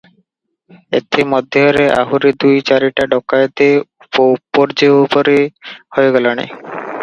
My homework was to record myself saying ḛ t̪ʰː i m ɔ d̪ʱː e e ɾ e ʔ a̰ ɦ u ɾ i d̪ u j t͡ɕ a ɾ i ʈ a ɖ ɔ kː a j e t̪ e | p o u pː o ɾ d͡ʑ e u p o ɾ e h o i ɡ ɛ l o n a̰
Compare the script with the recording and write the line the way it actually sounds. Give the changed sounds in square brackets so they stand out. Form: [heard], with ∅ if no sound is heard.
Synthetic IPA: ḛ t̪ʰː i m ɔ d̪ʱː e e ɾ e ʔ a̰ ɦ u ɾ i d̪ u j t͡ɕ a ɾ i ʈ a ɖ ɔ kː a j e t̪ e | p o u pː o ɾ d͡ʑ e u p o ɾ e h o [e] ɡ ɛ l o n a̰